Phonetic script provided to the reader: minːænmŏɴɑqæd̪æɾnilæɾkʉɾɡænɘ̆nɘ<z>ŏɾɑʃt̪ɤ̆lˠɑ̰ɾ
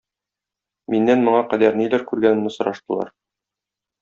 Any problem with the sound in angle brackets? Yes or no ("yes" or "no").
yes